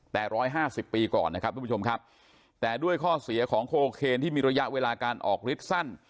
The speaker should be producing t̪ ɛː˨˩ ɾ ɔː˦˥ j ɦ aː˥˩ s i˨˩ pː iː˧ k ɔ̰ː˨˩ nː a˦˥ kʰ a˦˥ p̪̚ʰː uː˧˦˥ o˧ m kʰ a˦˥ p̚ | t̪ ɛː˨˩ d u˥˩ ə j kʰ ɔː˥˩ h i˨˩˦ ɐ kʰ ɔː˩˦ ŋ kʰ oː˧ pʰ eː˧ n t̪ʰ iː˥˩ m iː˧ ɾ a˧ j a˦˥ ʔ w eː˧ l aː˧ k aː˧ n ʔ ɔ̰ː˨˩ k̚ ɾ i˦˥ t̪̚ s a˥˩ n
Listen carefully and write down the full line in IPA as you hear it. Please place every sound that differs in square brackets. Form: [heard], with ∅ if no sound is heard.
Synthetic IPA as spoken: t̪ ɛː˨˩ ɾ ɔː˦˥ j ɦ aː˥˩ s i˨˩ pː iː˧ k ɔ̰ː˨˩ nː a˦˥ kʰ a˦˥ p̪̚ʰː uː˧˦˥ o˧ m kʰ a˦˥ p̚ | t̪ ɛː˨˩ d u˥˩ ə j kʰ ɔː˥˩ [s] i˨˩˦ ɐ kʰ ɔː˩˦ ŋ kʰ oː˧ [kʰ] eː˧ n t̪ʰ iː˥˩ m iː˧ ɾ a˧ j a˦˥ ʔ w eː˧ l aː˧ k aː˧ n ʔ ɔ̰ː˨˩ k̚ ɾ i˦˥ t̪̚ s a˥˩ n